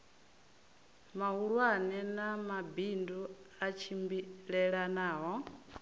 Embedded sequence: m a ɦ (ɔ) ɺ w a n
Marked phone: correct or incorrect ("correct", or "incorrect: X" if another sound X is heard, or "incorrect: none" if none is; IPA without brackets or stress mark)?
incorrect: u